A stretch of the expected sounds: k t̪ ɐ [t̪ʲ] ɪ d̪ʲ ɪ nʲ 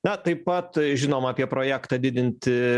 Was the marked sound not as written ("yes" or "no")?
yes